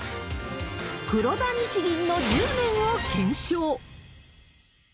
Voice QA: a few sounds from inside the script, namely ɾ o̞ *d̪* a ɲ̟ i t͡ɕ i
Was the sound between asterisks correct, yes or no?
yes